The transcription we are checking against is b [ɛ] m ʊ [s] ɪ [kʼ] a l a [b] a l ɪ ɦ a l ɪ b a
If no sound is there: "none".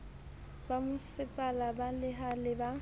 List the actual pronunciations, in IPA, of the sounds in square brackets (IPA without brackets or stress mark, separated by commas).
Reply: a, s, pʼ, b